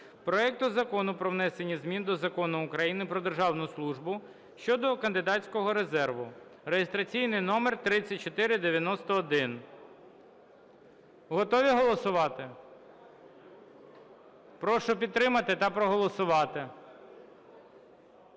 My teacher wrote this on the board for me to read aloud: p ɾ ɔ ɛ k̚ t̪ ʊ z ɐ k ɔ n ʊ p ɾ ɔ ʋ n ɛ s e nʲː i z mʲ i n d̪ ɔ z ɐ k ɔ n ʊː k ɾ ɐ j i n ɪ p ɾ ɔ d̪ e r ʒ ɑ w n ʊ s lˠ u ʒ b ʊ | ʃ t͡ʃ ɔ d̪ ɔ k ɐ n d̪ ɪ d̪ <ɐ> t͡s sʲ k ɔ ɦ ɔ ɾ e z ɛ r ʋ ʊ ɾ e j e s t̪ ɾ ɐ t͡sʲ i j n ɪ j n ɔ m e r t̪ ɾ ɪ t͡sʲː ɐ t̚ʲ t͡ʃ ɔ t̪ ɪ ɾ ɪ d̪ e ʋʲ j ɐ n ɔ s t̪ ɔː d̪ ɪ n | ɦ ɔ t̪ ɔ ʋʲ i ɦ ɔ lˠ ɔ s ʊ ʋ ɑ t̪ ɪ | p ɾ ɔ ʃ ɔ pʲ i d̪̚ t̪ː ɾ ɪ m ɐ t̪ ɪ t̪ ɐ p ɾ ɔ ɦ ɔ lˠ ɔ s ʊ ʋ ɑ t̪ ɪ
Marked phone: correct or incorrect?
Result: incorrect